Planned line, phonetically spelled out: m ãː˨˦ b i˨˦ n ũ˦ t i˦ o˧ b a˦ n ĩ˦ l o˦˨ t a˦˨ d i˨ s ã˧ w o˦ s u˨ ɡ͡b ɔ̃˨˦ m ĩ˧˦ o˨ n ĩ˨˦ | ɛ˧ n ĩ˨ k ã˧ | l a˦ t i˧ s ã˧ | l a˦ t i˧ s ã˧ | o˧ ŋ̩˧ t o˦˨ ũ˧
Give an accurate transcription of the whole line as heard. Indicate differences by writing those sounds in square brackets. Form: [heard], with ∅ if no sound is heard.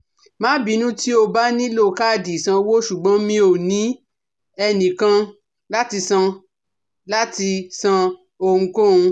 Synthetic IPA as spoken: m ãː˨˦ b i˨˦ n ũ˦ t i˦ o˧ b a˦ n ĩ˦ l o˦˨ [k] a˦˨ d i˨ s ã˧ w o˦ [ʃ] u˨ ɡ͡b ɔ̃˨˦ m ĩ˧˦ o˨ n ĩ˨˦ | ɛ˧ n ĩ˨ k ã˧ | l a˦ t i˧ s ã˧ | l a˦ t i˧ s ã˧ | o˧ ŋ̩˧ [k] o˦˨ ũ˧